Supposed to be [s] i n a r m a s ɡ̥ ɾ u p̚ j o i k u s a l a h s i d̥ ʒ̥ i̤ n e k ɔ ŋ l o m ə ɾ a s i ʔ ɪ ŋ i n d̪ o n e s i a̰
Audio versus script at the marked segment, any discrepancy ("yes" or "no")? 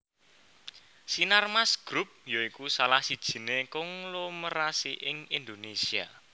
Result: no